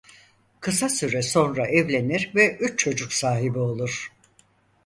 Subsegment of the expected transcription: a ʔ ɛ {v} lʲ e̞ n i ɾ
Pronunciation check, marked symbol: correct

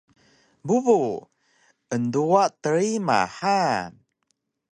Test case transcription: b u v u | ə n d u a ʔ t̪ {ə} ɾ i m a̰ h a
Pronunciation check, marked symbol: correct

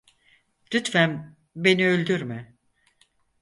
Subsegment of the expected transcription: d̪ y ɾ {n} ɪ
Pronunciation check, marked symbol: incorrect: m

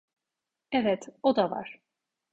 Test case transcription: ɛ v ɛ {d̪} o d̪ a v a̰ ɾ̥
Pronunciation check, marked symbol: incorrect: t̪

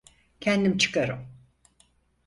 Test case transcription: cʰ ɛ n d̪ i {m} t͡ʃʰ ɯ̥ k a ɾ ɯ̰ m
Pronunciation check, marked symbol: correct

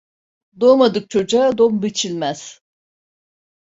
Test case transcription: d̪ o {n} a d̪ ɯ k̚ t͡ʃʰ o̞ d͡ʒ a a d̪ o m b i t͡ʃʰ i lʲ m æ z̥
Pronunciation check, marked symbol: incorrect: m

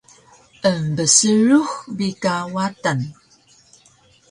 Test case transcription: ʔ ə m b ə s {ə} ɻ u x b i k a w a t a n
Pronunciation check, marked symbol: correct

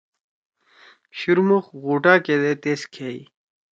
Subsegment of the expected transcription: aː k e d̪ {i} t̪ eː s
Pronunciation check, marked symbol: incorrect: e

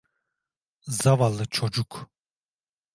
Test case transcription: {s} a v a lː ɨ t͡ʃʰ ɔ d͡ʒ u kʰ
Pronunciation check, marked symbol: incorrect: z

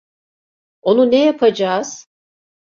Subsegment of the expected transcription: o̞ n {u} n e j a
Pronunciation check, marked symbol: correct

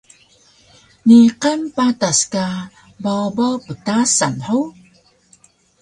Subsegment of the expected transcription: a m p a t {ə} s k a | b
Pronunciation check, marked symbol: incorrect: a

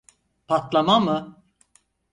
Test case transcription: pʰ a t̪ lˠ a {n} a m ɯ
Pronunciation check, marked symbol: incorrect: m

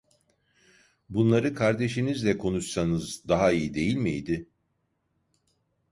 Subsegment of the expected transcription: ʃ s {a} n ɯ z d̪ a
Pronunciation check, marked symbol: correct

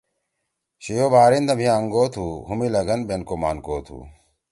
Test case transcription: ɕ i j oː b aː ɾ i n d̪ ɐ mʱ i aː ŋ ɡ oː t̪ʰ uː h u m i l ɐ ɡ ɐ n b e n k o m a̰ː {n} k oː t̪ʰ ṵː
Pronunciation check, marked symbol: correct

